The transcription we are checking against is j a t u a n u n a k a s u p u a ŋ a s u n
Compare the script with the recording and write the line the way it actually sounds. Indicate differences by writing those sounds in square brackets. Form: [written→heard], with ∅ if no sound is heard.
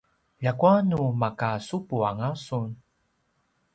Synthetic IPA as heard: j a [t→k] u a n u [n→m] a k a s u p u a ŋ a s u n